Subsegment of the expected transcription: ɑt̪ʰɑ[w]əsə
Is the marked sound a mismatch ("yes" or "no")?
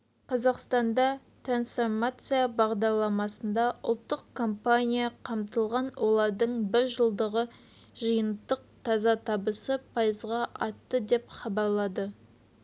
yes